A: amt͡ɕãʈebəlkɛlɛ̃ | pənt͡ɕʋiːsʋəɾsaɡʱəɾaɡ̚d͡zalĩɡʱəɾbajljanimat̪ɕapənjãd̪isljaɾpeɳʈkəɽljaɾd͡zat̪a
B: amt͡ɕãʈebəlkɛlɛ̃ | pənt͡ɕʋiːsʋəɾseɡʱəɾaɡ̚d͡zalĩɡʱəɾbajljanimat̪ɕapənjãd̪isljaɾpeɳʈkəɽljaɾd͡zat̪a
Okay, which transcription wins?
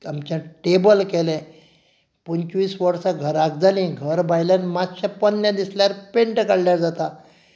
A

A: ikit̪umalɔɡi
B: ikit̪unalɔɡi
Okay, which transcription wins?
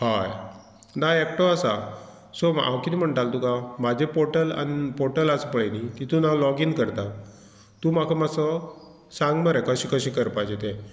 B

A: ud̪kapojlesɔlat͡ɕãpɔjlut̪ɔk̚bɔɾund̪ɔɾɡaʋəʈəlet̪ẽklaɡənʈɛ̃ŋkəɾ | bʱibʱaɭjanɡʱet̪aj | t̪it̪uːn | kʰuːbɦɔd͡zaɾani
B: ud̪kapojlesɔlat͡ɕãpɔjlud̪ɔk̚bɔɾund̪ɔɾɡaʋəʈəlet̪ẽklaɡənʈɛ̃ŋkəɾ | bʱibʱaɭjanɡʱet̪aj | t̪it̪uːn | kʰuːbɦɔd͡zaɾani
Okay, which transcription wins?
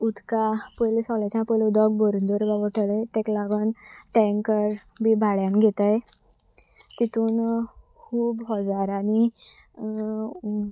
B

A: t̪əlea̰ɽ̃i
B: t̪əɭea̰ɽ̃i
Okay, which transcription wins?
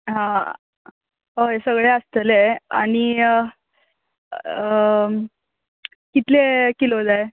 A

